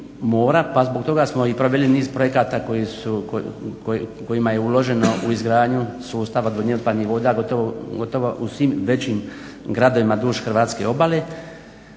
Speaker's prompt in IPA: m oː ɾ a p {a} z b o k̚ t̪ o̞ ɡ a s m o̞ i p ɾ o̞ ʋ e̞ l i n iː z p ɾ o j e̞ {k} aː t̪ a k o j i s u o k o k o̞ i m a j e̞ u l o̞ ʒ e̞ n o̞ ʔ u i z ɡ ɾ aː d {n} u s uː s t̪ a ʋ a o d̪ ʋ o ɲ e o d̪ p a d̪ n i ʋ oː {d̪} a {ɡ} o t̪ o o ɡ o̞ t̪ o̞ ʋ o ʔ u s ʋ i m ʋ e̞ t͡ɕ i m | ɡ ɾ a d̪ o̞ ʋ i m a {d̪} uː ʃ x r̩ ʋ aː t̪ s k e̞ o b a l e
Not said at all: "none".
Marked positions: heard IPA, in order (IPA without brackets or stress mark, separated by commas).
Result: a, k, ɲ, d̪, ɡ, d̪